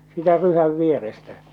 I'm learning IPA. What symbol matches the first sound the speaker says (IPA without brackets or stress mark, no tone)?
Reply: s